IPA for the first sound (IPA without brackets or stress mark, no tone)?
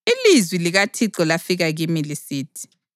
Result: i